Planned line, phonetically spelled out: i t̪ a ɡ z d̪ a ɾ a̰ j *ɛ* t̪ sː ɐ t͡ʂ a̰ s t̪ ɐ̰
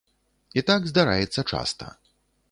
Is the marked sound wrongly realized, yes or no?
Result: no